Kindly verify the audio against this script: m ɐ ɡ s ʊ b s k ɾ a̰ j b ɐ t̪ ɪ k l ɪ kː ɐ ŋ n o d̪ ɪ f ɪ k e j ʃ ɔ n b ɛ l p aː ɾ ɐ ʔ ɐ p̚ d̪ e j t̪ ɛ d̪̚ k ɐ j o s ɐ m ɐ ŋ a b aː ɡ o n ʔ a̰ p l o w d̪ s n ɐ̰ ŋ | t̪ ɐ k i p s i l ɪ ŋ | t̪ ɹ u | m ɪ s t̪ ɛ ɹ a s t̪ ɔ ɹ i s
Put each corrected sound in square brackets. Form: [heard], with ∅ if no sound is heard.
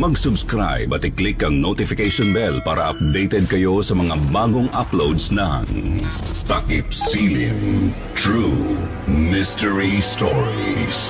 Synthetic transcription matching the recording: m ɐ ɡ s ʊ b s k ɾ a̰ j b ɐ t̪ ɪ k l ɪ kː ɐ ŋ n o [t̪] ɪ f ɪ k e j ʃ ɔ n b ɛ l p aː ɾ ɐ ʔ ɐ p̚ d̪ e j t̪ ɛ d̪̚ k ɐ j o s ɐ m ɐ ŋ a b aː ɡ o [ŋ] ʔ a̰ p l o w d̪ s n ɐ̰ ŋ | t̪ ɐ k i p s i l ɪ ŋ | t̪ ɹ u | m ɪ s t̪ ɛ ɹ [i] s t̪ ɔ ɹ i s